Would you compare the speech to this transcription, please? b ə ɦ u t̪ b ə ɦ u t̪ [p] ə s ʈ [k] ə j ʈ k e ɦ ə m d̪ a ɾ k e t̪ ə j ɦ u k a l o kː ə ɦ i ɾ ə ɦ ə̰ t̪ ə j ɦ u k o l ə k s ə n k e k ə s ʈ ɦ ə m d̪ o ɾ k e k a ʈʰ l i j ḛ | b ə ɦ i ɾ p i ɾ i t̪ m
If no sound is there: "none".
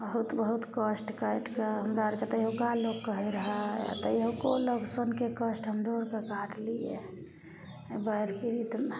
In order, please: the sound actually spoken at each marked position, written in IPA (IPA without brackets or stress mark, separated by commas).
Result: k, k